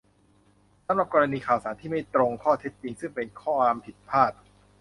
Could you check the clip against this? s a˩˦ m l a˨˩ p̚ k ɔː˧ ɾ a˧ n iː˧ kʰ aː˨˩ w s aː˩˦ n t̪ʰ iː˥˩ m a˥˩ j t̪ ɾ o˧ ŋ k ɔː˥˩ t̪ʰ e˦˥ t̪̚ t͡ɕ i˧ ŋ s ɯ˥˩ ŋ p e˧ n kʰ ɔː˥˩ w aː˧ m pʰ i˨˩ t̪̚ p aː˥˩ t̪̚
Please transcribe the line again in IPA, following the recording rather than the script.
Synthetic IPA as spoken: s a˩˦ m ɾ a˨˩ p̚ k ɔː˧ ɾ a˧ n iː˧ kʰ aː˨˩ w s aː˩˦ n t̪ʰ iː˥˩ m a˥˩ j t̪ ɾ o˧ ŋ kʰ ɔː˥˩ t̪ʰ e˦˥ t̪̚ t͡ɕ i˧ ŋ s ɯ˥˩ ŋ p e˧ n kʰ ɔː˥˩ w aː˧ m pʰ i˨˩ t̪̚ pʰ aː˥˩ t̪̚